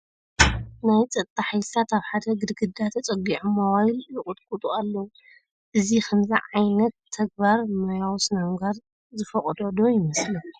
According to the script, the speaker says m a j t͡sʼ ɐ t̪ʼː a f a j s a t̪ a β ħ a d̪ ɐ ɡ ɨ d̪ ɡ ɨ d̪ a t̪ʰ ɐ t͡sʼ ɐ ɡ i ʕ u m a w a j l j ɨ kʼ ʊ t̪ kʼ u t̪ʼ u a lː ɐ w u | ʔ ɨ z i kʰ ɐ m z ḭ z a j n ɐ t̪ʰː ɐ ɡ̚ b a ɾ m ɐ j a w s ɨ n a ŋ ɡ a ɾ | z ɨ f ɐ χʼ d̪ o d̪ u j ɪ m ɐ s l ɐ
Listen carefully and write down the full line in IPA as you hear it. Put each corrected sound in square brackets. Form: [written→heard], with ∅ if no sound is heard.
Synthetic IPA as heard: [m→n] a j t͡sʼ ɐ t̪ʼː a [f→ħ] a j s a t̪ a β ħ a d̪ ɐ ɡ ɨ d̪ ɡ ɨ d̪ a t̪ʰ ɐ t͡sʼ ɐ ɡ i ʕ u m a w a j l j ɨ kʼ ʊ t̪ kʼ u t̪ʼ u a lː ɐ w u | ʔ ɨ z i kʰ ɐ m z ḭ [z→ʕ] a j n ɐ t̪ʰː ɐ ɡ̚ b a ɾ m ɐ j a w s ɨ n a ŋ ɡ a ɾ | z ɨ f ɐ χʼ d̪ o d̪ [u→o] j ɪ m ɐ s l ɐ